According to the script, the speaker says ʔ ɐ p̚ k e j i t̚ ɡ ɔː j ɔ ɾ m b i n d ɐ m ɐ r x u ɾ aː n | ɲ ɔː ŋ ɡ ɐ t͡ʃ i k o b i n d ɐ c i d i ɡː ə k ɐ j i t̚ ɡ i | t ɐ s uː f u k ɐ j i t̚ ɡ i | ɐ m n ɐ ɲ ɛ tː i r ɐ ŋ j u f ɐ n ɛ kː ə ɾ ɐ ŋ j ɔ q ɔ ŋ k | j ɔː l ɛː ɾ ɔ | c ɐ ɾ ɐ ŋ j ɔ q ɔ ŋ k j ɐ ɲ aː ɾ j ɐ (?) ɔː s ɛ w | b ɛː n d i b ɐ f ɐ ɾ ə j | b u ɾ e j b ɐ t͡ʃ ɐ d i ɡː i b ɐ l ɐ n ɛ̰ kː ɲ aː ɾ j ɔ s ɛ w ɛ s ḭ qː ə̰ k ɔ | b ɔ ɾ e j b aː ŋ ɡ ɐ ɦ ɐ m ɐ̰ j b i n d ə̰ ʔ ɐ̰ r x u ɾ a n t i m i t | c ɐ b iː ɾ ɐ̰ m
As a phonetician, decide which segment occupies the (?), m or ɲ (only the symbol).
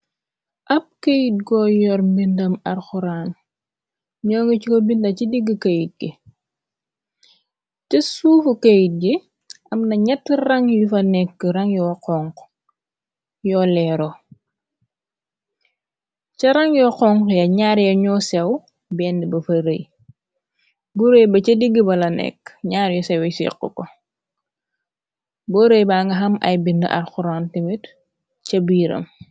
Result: ɲ